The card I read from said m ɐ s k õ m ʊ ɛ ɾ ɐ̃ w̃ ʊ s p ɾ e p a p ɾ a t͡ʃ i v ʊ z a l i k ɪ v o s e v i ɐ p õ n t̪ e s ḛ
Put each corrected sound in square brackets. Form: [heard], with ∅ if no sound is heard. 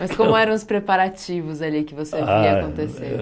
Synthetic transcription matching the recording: m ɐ s k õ m ʊ ɛ ɾ ɐ̃ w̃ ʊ s p ɾ e p a [∅] ɾ a t͡ʃ i v ʊ z a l i k ɪ v o s e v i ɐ [k] õ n t̪ e s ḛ